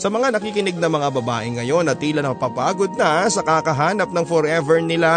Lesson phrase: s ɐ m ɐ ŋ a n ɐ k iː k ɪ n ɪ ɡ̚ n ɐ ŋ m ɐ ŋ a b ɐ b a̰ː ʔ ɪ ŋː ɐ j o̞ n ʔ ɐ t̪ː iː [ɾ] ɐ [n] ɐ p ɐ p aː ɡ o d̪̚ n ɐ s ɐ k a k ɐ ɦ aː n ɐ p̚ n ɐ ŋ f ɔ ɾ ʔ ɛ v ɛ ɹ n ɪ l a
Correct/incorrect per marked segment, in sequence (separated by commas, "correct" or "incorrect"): incorrect, correct